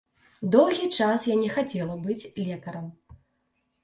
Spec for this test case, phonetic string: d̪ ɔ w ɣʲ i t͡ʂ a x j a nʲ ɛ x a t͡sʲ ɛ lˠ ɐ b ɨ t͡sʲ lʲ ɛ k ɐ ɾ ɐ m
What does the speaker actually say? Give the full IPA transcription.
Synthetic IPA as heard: d̪ ɔ w ɣʲ i t͡ʂ a s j a nʲ ɛ x a t͡sʲ ɛ lˠ ɐ b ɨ t͡sʲ lʲ ɛ k ɐ ɾ ɐ m